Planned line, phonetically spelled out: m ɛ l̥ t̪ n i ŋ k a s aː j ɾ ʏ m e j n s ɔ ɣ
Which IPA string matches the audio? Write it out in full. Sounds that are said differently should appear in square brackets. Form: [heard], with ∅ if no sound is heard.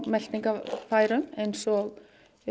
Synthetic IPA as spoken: m ɛ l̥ t̪ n i ŋ k a [f] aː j ɾ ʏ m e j n s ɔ ɣ